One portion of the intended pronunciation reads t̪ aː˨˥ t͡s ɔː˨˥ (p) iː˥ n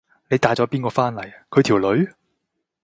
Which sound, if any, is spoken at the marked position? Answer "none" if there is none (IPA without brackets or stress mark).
p